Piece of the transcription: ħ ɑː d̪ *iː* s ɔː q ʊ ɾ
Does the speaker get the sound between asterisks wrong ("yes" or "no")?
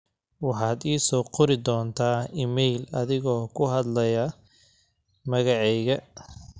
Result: no